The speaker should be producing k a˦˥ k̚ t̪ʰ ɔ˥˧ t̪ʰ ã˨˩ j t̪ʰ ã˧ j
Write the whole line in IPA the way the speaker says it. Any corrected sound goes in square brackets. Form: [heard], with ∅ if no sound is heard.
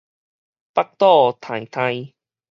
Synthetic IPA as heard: [p] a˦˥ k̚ [t̪] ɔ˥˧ t̪ʰ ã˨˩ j t̪ʰ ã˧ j

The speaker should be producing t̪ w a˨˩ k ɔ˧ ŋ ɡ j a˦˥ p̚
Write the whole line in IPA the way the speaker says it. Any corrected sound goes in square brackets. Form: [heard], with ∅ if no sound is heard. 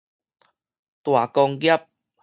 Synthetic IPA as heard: t̪ w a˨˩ k ɔ˧ ŋ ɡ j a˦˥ p̚

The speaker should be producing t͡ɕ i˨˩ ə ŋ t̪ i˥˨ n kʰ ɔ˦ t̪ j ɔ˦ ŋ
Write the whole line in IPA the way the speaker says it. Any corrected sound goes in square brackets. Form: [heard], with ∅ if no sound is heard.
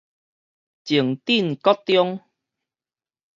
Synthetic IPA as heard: t͡ɕ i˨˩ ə ŋ t̪ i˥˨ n [k] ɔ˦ t̪ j ɔ˦ ŋ

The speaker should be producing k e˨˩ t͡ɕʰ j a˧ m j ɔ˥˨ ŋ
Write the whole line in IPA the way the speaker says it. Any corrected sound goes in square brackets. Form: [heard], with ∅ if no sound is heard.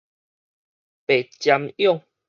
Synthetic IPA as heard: [p] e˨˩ [t͡ɕ] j a˧ m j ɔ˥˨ ŋ

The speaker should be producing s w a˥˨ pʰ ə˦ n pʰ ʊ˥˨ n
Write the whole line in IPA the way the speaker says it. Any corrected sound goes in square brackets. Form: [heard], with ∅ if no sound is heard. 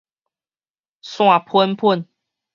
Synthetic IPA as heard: s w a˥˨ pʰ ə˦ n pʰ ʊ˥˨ n

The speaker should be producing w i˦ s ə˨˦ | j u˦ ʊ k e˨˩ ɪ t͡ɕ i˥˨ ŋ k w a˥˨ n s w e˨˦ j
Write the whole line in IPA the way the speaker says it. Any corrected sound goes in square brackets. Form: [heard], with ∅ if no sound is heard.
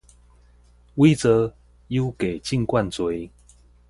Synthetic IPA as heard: w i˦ [t͡s] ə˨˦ | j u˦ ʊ k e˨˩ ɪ t͡ɕ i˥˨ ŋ k w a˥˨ n [t͡s] w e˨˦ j

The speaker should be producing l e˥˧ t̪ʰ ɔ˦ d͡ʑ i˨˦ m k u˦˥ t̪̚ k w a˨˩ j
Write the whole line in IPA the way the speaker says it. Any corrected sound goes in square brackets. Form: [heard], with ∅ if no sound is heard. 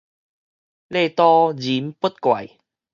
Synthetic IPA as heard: l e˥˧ [t̪] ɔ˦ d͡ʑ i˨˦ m [p] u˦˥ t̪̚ k w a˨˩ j

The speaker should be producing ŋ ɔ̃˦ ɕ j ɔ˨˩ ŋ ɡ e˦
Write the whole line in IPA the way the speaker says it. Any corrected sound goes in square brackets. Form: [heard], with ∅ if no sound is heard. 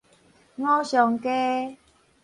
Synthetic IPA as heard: ŋ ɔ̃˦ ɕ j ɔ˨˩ ŋ [k] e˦

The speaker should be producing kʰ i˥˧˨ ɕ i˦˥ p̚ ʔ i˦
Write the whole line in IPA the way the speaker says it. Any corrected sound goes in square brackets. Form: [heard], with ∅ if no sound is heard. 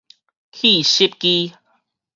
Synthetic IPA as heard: kʰ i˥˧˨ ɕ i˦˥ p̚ [k] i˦

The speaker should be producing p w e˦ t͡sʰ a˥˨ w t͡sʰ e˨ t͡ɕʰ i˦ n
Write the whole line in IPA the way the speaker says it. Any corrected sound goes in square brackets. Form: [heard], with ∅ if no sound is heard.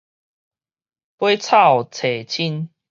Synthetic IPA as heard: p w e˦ t͡sʰ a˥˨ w t͡sʰ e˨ t͡ɕʰ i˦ n

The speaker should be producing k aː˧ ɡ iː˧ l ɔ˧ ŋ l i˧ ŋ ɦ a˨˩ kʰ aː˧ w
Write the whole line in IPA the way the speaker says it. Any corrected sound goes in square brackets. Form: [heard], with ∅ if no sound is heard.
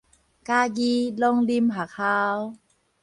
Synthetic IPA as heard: k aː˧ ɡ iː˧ l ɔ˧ ŋ l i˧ [m] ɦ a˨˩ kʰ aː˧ w

